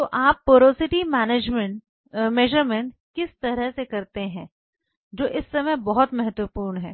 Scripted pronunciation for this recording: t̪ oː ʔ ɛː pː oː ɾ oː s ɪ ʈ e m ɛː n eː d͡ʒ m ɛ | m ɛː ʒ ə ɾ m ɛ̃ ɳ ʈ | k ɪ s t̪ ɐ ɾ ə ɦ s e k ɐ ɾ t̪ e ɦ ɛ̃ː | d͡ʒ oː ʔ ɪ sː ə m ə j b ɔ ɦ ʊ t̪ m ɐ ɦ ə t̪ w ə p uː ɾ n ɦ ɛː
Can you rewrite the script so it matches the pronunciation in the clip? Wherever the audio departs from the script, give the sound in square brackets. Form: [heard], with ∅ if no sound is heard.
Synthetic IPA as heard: t̪ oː ʔ [aː] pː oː ɾ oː s ɪ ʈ [i] m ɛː n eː d͡ʒ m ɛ | m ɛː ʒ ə ɾ m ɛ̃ ɳ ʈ | k ɪ s t̪ ɐ ɾ ə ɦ s e k ɐ ɾ t̪ e ɦ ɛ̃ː | d͡ʒ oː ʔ ɪ sː [ɐ] m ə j b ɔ ɦ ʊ t̪ m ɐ ɦ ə t̪ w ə p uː ɾ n ɦ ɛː

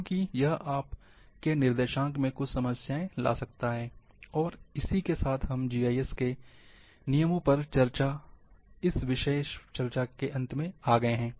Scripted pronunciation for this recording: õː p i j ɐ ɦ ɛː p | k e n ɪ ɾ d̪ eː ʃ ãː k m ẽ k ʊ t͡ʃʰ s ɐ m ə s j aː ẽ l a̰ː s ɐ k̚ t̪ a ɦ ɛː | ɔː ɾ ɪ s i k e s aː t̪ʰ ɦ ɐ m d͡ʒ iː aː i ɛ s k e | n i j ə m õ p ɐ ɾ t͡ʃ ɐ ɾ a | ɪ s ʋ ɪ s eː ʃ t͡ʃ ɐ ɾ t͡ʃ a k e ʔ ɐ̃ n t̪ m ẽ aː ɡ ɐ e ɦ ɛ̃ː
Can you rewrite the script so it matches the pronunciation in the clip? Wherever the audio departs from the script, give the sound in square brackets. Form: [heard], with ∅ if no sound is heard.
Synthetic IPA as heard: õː [k] i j ɐ ɦ [aː] p | k e n ɪ ɾ d̪ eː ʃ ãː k m ẽ k ʊ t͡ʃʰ s ɐ m ə s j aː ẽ l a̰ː s ɐ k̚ t̪ a ɦ ɛː | ɔː ɾ ɪ s i k e s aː t̪ʰ ɦ ɐ m d͡ʒ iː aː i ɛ s k e | n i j ə m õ p ɐ ɾ t͡ʃ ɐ ɾ a | ɪ s ʋ ɪ [ʃ] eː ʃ t͡ʃ ɐ ɾ t͡ʃ a k e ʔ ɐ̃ n t̪ m ẽ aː ɡ ɐ e ɦ ɛ̃ː

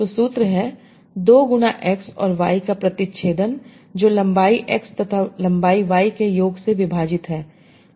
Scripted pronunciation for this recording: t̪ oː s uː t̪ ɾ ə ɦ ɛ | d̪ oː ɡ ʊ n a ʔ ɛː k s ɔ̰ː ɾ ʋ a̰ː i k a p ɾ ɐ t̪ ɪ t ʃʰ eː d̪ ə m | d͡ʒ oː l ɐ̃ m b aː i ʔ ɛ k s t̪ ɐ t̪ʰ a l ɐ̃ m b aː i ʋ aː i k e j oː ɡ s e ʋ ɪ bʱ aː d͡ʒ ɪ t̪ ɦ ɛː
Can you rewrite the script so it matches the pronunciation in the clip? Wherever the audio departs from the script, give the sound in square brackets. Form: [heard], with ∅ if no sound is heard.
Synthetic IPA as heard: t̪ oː s uː t̪ ɾ ə ɦ ɛ | d̪ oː ɡ ʊ n a ʔ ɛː k s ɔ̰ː ɾ ʋ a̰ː i k a p ɾ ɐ t̪ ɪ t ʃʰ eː d̪ ə [n] | d͡ʒ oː l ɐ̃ m b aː i ʔ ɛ k s t̪ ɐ t̪ʰ a l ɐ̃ m b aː i ʋ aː i k e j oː ɡ s e ʋ ɪ bʱ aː d͡ʒ ɪ t̪ ɦ ɛː

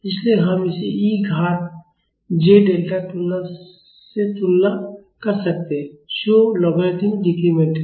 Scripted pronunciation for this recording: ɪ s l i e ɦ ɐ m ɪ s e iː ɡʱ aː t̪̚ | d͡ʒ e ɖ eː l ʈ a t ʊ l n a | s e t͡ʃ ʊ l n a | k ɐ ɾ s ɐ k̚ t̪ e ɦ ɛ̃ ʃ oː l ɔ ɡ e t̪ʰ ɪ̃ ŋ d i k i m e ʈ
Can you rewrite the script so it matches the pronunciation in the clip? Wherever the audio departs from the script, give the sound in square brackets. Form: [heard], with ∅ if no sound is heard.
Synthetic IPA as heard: ɪ s l i e ɦ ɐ m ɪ s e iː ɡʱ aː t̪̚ | d͡ʒ e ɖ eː l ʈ a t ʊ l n a | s e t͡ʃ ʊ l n a | k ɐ ɾ s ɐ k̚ t̪ e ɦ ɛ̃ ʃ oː l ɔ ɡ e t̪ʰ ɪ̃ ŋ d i k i m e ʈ

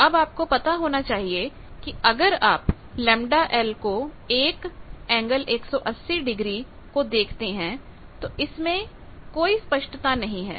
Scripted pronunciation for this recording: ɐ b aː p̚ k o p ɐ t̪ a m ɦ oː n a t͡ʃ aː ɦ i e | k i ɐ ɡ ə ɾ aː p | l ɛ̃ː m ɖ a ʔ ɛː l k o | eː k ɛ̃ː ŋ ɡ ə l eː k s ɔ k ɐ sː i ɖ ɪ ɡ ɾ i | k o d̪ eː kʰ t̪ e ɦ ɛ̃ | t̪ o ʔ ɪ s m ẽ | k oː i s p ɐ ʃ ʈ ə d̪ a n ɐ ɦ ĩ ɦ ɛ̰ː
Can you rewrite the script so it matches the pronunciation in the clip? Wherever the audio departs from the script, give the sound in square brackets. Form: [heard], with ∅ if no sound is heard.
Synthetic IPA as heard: ɐ b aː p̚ k o p ɐ t̪ a [∅] ɦ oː n a t͡ʃ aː ɦ i e | k i ɐ ɡ ə ɾ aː p | l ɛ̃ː m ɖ a ʔ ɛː l k o | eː k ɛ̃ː ŋ ɡ ə l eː k s ɔ [ʔ] ɐ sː i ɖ ɪ ɡ ɾ i | k o d̪ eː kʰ t̪ e ɦ ɛ̃ | t̪ o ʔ ɪ s m ẽ | k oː i s p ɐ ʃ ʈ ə [t̪] a n ɐ ɦ ĩ ɦ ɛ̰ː

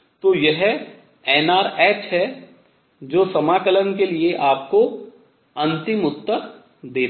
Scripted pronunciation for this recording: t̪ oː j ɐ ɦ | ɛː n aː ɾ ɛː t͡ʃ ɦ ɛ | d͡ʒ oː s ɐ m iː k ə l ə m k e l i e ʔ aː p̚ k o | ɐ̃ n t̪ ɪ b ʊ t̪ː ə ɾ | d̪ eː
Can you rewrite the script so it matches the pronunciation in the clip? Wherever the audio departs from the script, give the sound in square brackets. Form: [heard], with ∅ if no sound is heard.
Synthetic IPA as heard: t̪ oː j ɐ ɦ | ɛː n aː ɾ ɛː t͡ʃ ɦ ɛ | d͡ʒ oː s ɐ m [aː] k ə l ə [n] k e l i e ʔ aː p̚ k o | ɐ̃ n t̪ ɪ [m] ʊ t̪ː ə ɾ | d̪ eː

